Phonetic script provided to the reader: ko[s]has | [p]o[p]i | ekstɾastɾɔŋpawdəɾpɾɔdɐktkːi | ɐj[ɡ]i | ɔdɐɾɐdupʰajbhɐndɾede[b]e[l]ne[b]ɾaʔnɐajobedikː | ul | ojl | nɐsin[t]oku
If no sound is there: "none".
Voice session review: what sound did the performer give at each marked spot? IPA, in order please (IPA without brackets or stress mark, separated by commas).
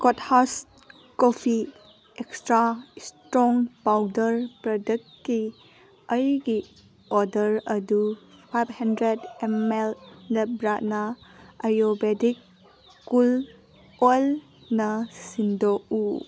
t, k, pʰ, ɡ, m, l, b, d